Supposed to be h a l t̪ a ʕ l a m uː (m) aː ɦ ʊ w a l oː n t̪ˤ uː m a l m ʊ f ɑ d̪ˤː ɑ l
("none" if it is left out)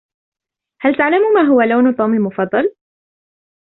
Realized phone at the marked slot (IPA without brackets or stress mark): m